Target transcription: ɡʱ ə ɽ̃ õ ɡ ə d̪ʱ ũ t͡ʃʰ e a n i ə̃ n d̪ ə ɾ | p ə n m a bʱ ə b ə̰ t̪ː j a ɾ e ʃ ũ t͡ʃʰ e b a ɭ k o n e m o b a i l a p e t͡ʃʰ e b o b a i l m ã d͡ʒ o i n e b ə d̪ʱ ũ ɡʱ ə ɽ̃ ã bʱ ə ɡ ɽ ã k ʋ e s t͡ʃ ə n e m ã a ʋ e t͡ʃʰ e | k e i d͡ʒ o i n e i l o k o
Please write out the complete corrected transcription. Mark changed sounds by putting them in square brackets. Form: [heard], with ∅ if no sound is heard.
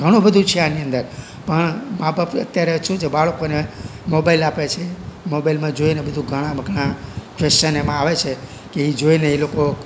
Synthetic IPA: ɡʱ ə ɽ̃ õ [b] ə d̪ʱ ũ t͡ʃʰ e a n i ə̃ n d̪ ə ɾ | p ə [ɳ] m a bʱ ə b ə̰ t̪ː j a ɾ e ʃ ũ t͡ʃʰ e b a ɭ k o n e m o b a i l a p e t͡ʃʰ e [m] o b a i l m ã d͡ʒ o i n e b ə d̪ʱ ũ ɡʱ ə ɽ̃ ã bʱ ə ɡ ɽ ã k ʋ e s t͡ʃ ə n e m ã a ʋ e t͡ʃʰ e | k e i d͡ʒ o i n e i l o k o